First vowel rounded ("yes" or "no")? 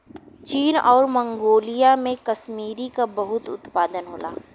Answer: no